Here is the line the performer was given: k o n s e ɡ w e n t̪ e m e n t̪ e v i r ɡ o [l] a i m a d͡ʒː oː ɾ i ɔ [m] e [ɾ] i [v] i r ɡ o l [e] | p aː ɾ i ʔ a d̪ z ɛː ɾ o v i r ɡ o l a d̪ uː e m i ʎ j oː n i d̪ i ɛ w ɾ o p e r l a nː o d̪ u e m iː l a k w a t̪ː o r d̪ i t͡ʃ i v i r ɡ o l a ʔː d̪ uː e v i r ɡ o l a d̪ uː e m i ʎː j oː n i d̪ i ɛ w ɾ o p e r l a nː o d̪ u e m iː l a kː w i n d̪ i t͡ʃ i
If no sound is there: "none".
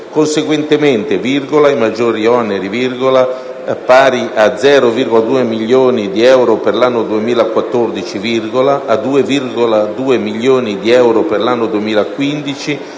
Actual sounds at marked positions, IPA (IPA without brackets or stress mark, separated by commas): l, n, ɾ, v, a